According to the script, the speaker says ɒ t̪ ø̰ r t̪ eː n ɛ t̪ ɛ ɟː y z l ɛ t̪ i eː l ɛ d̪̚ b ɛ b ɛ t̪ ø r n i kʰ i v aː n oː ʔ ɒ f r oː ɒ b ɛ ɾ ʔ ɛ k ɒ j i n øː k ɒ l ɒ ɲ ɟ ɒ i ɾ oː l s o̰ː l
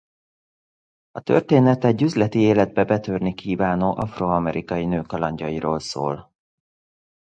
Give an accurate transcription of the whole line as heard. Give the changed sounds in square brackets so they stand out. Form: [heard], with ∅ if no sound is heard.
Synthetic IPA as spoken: ɒ t̪ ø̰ r t̪ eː n ɛ t̪ ɛ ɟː y z l ɛ t̪ i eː l ɛ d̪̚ b ɛ b ɛ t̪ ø r n i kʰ [iː] v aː n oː ʔ ɒ f r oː ɒ [m] ɛ ɾ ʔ [i] k ɒ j i n øː k ɒ l ɒ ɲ ɟ ɒ i ɾ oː l s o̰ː l